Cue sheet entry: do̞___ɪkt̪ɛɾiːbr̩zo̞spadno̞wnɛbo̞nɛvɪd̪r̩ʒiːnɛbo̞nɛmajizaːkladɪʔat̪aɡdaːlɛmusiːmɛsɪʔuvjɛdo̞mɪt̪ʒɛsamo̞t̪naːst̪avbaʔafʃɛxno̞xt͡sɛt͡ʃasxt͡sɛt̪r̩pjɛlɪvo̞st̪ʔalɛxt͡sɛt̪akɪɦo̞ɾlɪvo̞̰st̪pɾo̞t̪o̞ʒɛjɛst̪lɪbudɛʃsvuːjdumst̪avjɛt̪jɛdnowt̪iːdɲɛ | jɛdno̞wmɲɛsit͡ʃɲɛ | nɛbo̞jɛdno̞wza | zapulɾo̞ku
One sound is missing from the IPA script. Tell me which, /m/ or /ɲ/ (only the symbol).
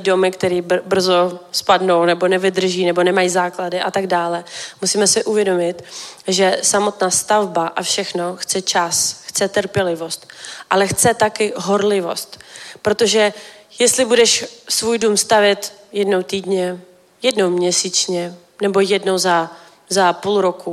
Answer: m